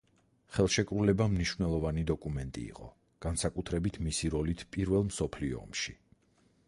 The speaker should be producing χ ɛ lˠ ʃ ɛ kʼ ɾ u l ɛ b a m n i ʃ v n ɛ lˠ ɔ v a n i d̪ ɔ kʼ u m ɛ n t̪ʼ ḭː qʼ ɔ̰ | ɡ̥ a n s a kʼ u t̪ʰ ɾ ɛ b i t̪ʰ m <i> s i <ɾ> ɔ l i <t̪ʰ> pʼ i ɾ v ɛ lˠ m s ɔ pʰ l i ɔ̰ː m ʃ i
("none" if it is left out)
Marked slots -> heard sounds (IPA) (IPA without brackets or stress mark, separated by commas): i, ɾ, t̪ʰ